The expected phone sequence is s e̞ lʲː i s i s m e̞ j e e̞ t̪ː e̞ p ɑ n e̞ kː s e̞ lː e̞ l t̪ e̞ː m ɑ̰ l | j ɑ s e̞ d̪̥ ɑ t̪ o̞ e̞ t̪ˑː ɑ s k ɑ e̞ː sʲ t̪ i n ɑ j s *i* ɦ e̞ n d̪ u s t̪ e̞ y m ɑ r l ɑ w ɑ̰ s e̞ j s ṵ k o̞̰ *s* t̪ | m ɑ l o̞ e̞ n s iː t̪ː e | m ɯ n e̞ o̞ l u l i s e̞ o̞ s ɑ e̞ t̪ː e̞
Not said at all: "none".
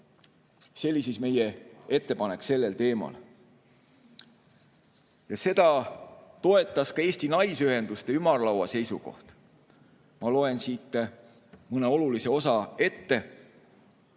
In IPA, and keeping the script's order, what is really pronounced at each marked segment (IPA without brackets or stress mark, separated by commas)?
y, h